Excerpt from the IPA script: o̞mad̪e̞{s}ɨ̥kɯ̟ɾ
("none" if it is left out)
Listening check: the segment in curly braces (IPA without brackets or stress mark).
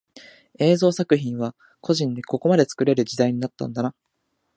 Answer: t͡s